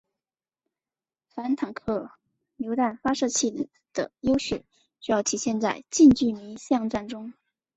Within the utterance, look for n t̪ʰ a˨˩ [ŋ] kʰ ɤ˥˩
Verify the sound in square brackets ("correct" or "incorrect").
correct